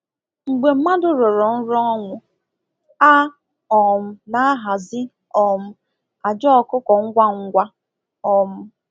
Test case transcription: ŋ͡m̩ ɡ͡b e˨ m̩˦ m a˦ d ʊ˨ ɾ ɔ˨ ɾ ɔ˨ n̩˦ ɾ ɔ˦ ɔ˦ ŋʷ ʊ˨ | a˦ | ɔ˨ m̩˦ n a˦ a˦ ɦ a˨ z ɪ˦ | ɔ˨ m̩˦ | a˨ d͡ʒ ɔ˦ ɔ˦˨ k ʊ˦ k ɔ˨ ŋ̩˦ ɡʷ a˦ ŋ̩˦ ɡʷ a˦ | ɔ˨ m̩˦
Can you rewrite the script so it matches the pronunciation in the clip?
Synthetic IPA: ŋ͡m̩ ɡ͡b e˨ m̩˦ m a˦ d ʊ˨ ɾ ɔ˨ ɾ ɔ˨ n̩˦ ɾ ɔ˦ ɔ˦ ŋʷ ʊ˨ | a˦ | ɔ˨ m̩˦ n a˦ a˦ ɦ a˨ z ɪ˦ | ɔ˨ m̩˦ | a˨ d͡ʒ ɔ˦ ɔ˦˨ k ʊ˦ k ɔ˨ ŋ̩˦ ɡʷ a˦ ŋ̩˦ ɡʷ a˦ | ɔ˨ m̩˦